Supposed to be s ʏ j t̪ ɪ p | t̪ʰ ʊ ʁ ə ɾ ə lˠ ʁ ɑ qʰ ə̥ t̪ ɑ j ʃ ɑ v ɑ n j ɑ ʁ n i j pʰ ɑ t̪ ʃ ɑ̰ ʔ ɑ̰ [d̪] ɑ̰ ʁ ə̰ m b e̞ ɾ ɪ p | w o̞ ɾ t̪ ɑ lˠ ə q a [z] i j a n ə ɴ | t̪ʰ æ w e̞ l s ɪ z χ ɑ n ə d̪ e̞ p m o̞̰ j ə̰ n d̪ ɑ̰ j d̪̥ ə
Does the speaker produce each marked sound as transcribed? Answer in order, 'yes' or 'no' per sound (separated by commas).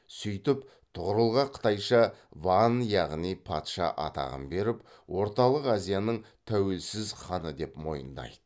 no, yes